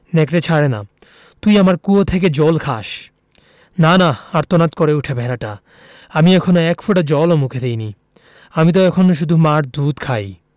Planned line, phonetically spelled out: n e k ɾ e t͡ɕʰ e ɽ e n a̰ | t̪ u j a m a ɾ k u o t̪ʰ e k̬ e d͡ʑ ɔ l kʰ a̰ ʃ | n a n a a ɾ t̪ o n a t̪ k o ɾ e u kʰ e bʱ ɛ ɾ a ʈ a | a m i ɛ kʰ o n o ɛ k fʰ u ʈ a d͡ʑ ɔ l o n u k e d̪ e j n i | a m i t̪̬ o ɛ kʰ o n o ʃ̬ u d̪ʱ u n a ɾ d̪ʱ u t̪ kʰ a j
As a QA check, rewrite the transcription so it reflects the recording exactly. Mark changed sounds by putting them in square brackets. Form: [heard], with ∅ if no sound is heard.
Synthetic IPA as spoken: n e k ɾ e t͡ɕʰ [a] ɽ e n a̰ | t̪ u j a m a ɾ k u o t̪ʰ e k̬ e d͡ʑ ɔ l kʰ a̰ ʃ | n a n a a ɾ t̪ o n a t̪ k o ɾ e u [ʈʰ] e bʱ ɛ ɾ a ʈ a | a m i ɛ kʰ o n o ɛ k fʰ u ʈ a d͡ʑ ɔ l o [m] u [kʰ] e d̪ e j n i | a m i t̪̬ o ɛ kʰ o n o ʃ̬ u d̪ʱ u [m] a ɾ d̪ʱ u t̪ kʰ a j